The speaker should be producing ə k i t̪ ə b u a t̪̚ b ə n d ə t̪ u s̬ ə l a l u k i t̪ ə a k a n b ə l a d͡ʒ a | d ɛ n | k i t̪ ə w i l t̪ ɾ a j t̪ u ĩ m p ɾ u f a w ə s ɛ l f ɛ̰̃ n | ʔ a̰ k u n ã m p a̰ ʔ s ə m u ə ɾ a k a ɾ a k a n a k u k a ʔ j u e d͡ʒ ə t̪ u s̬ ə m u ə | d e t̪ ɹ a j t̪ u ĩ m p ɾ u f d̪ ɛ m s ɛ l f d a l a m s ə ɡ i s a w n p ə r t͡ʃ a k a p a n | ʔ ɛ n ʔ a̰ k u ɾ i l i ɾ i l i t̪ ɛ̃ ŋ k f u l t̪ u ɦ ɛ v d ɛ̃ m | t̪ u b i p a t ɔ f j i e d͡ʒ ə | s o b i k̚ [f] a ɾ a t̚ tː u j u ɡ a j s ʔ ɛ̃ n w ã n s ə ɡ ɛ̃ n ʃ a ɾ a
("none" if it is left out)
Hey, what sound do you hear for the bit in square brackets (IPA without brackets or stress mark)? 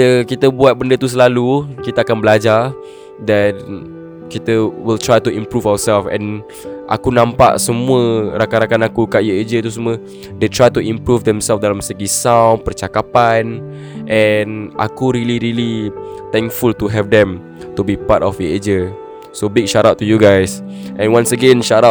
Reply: ʃ